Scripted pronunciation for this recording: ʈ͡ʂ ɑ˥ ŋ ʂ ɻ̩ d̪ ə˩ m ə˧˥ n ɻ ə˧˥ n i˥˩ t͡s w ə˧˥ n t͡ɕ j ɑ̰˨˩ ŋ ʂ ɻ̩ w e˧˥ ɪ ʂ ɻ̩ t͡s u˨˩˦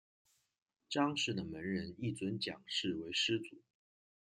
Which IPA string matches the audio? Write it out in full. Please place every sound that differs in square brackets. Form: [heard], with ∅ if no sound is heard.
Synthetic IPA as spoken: ʈ͡ʂ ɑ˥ ŋ ʂ ɻ̩ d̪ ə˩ m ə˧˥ n ɻ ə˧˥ n i˥˩ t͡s w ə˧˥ n t͡ɕ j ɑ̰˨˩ ŋ ʂ ɻ̩ w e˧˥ ɪ ʂ ɻ̩ t͡s u˨˩˦